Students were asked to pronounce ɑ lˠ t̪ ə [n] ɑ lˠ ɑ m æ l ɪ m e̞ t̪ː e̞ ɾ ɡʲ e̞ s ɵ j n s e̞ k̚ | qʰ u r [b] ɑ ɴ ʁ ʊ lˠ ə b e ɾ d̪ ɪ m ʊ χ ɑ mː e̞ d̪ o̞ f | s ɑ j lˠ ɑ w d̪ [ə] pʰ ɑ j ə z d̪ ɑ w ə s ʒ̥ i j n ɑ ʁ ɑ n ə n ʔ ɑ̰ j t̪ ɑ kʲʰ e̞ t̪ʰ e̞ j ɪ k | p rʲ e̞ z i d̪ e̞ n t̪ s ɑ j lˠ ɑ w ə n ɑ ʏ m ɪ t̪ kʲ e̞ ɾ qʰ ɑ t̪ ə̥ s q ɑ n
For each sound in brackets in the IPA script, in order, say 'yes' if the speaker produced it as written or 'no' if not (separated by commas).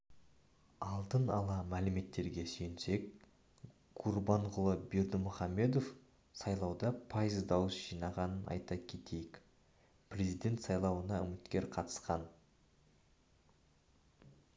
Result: yes, yes, no